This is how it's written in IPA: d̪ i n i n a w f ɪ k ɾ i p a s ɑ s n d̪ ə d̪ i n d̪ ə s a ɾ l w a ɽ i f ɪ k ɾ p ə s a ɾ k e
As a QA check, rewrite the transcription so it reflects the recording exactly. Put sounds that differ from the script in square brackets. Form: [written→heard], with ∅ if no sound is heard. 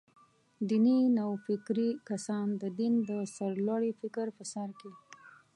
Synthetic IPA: d̪ i n i n a w f ɪ k ɾ i [p→k] a s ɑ [s→∅] n d̪ ə d̪ i n d̪ ə s a ɾ l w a ɽ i f ɪ k ɾ p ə s a ɾ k e